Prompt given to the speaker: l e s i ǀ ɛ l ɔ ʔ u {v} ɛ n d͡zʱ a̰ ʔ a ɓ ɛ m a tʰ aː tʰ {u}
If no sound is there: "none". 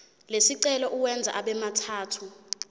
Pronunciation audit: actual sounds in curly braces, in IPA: w, u

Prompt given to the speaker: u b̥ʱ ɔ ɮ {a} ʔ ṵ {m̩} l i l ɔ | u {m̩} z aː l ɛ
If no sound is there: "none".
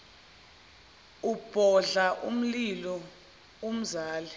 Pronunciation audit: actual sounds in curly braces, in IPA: a, m̩, m̩

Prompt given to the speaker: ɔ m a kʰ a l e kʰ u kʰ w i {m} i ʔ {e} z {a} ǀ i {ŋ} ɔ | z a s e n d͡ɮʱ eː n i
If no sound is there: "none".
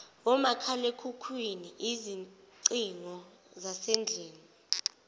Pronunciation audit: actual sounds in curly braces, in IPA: n, i, i, ŋ

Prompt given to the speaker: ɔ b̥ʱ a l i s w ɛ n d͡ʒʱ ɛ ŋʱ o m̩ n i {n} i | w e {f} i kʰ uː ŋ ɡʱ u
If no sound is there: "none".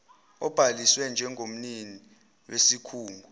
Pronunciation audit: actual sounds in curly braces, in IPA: n, s

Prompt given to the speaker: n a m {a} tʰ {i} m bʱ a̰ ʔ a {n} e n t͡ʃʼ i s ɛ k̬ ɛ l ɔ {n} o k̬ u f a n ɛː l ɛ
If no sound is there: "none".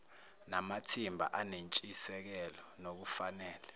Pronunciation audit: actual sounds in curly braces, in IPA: a, i, n, n

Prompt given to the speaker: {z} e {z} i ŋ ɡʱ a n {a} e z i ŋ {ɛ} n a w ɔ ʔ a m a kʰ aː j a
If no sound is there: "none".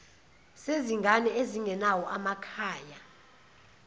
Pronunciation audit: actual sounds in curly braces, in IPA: s, z, ɛ, ɛ

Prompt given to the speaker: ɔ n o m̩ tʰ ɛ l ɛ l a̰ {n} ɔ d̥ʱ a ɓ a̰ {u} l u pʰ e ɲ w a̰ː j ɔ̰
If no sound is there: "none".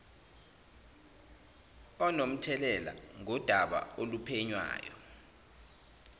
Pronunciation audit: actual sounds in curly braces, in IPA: ŋ, o

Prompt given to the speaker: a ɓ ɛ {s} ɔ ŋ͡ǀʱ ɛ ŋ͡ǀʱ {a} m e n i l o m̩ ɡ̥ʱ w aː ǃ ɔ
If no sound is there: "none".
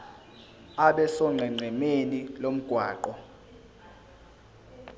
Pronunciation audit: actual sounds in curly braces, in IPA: s, ɛ

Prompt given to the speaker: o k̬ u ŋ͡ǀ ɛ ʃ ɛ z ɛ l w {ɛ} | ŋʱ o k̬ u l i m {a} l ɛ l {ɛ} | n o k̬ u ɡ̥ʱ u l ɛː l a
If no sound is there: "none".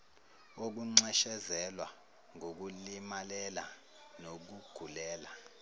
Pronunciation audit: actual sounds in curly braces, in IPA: a, a, a

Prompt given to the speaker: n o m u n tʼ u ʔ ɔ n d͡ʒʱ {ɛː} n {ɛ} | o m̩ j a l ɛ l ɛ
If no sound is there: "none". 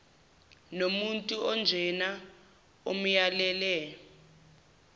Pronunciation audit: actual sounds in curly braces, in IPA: ɛ, a

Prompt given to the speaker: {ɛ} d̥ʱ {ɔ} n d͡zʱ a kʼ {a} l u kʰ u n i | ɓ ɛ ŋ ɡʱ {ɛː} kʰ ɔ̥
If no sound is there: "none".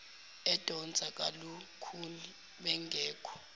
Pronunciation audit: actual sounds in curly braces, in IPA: ɛ, ɔ, a, ɛː

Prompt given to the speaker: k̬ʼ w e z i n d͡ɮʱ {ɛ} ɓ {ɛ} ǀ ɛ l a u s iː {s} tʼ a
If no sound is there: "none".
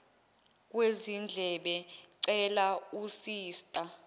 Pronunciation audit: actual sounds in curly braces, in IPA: ɛ, ɛ, s

